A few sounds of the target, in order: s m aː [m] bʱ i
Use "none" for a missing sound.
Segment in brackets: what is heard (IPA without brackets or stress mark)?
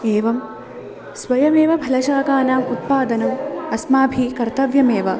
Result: none